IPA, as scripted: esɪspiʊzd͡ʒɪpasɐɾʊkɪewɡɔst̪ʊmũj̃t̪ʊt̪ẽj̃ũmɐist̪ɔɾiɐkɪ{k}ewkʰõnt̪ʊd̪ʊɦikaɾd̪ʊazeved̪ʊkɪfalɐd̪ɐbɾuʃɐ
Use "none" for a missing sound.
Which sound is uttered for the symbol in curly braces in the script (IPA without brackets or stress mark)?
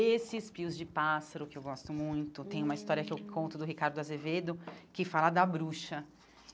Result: none